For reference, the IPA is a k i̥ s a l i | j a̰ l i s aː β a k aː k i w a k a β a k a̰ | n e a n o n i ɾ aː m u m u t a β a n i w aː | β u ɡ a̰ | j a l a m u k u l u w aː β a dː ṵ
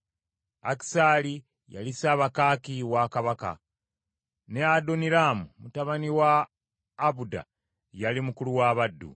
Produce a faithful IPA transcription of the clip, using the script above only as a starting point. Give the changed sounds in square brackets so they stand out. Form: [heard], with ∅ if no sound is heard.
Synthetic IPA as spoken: a k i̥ s a l i | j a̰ l i s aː β a k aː k i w a k a β a k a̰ | n e a [d] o n i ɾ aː m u m u t a β a n i w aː | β u [d] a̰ | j a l [i] m u k u l u w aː β a dː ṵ